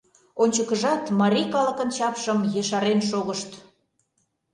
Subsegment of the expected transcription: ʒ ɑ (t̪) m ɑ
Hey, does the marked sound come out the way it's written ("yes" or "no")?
yes